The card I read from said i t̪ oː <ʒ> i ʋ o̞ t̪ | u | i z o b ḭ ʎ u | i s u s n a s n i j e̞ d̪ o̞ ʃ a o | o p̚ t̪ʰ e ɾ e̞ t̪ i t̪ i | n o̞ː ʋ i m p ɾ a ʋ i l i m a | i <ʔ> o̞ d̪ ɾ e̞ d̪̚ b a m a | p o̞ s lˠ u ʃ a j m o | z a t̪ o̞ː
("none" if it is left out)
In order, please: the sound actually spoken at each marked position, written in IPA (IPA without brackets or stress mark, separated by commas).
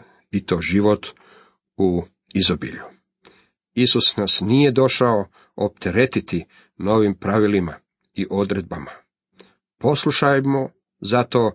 ʒ, ʔ